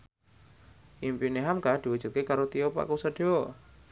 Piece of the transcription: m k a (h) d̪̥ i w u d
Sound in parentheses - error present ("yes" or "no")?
no